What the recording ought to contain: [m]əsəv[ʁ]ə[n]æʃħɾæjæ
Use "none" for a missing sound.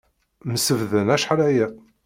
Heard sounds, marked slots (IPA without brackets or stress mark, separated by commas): m, ð, n